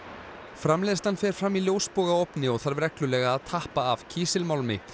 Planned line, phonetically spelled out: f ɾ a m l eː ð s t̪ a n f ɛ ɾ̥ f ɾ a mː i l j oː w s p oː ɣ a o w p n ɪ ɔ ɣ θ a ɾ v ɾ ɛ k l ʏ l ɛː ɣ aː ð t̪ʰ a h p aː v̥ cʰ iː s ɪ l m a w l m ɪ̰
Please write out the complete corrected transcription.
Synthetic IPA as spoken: f ɾ a m l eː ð s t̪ a n f ɛ ɾ̥ f ɾ a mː i l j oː w s p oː ɣ a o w p n ɪ ɔ ɣ θ a ɾ v ɾ ɛ k l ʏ l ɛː ɣ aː ð t̪ʰ a h p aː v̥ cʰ iː s ɪ l m a w l m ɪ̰